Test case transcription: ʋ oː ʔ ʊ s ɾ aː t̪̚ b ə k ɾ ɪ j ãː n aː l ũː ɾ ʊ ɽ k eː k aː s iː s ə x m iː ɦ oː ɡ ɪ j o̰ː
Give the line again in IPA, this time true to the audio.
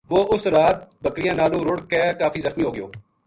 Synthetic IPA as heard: ʋ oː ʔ ʊ s ɾ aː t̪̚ b ə k ɾ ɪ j ãː n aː l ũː ɾ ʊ ɽ k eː k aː f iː z ə x m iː ɦ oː ɡ ɪ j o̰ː